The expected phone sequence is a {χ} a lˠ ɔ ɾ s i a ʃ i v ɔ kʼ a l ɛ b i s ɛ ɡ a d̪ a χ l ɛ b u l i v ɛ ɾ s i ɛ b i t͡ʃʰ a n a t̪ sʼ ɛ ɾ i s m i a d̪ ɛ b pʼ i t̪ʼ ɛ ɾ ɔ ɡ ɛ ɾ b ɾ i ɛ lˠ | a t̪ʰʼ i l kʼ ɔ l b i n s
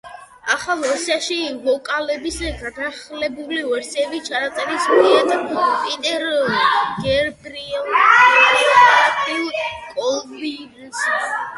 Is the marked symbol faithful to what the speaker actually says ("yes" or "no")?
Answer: yes